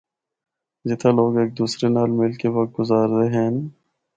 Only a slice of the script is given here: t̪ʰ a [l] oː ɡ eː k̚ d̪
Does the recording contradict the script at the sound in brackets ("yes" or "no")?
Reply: no